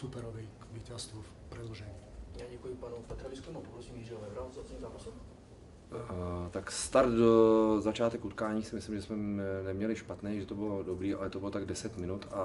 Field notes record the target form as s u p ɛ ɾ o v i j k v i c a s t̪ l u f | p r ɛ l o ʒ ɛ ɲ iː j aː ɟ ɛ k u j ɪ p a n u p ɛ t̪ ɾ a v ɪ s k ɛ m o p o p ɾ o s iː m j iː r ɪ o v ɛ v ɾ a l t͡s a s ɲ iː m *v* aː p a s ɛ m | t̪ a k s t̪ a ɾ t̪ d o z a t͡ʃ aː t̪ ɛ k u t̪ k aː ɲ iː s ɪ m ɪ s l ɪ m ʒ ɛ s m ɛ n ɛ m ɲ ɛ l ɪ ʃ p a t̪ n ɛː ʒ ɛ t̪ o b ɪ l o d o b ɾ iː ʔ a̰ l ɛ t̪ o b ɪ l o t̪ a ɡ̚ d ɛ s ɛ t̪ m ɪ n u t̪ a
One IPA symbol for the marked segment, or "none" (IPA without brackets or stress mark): z